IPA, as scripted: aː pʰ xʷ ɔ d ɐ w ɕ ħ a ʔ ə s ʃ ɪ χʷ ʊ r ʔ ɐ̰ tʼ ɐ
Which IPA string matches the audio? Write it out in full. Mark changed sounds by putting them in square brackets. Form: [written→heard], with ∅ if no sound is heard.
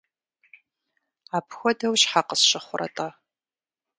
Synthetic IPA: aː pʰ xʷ ɔ d ɐ w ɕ ħ a [ʔ→q] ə s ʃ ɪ χʷ ʊ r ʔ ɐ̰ tʼ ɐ